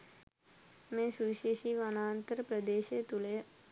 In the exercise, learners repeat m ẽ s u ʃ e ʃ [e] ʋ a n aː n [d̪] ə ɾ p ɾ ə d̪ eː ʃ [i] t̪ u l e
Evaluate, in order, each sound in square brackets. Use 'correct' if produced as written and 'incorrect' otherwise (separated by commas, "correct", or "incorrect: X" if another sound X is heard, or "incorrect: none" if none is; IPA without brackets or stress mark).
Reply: incorrect: i, incorrect: t̪, incorrect: e